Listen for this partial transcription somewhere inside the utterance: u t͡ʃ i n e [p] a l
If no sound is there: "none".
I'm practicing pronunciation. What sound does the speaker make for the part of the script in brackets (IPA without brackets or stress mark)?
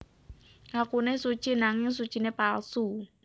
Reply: p